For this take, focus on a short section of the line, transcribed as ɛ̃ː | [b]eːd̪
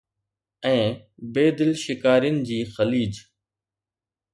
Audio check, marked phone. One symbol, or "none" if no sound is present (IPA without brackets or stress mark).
b